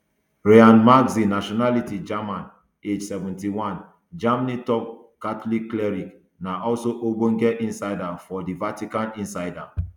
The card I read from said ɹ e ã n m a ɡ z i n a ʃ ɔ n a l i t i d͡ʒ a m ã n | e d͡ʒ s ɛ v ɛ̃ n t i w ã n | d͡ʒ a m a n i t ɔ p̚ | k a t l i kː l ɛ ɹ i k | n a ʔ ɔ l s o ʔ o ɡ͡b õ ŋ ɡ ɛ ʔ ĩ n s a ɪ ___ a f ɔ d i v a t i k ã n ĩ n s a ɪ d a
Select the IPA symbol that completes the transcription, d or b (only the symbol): d